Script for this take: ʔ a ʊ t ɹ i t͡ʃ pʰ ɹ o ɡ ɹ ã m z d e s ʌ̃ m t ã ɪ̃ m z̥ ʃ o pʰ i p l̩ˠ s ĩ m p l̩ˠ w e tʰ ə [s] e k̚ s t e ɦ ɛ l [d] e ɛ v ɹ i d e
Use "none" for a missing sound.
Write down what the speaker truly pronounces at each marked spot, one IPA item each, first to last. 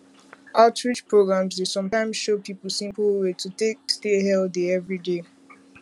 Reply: t, d

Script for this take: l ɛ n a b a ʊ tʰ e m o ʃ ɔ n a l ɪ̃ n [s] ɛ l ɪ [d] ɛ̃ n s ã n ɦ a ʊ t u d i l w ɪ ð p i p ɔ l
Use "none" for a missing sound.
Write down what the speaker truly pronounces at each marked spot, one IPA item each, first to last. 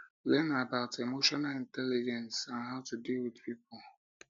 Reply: t, d͡ʒ

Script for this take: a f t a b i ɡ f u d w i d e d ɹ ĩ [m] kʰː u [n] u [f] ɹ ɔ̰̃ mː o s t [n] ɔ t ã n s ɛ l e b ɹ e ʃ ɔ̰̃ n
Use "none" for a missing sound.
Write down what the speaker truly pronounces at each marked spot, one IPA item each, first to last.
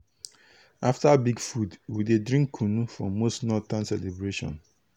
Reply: ŋ, n, f, n

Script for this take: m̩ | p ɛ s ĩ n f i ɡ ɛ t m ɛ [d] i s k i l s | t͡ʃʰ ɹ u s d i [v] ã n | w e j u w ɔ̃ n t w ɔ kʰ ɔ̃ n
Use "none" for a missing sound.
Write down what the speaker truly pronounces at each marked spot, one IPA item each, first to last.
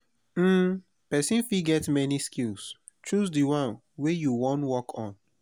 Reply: n, w

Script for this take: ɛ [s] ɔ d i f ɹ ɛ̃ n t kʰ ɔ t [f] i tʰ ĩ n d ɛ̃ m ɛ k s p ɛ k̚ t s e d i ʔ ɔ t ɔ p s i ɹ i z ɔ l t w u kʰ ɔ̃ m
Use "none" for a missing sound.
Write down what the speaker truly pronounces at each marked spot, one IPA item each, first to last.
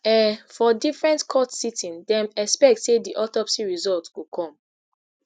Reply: f, s

